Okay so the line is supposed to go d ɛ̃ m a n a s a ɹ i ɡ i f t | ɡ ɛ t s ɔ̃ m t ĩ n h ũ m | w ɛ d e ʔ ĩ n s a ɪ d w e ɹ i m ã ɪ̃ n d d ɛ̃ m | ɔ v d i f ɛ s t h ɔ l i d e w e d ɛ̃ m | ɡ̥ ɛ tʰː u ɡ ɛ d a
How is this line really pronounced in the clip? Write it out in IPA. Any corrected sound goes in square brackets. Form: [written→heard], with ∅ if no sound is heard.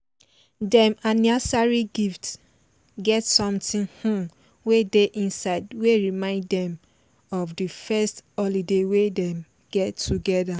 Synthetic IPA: d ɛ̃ m a n a s a ɹ i ɡ i f t | ɡ ɛ t s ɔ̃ m t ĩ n h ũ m | w [ɛ→e] d e ʔ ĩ n s a ɪ d w e ɹ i m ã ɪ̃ n d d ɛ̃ m | ɔ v d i f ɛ s t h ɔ l i d e w e d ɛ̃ m | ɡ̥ ɛ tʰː u ɡ ɛ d a